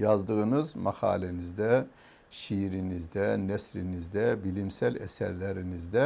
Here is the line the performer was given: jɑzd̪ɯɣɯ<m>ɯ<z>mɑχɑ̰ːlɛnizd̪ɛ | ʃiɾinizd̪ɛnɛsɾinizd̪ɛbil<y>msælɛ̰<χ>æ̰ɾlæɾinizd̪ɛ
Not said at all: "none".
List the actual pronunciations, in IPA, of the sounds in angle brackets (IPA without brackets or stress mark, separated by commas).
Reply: n, z, i, s